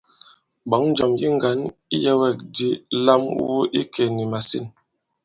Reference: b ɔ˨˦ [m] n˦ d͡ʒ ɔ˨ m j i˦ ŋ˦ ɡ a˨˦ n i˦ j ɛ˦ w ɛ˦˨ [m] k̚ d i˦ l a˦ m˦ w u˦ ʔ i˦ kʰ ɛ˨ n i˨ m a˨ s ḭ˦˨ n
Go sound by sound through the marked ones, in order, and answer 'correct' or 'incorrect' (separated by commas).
incorrect, incorrect